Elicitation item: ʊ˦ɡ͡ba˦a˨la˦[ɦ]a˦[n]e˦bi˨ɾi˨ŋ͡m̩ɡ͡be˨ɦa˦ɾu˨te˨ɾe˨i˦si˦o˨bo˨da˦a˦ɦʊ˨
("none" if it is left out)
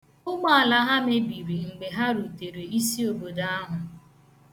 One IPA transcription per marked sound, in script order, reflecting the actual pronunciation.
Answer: ɦ, m

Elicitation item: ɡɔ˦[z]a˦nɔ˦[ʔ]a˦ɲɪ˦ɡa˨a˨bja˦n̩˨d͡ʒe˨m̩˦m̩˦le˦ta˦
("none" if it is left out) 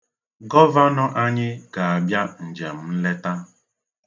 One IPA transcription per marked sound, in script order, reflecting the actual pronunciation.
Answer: v, ʔ

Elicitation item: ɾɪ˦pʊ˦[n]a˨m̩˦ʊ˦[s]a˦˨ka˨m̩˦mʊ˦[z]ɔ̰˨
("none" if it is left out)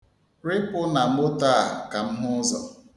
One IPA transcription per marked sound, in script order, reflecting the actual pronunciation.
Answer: n, t, z

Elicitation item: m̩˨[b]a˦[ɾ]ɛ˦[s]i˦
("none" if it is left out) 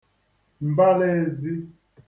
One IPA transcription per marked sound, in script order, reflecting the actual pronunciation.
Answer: b, l, z

